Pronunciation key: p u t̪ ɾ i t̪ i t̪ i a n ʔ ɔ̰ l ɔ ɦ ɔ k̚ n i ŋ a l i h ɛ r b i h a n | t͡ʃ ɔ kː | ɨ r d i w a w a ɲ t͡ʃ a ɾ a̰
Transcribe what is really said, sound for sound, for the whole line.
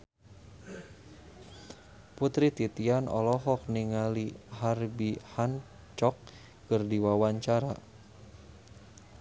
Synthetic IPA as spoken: p u t̪ ɾ i t̪ i t̪ i a n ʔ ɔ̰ l ɔ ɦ ɔ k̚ n i ŋ a l i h a r b i h a n | t͡ʃ ɔ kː | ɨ r d i w a w a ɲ t͡ʃ a ɾ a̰